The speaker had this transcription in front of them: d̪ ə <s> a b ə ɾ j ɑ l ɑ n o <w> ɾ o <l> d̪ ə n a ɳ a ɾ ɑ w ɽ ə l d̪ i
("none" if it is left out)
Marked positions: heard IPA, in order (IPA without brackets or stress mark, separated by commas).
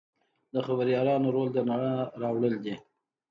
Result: x, none, l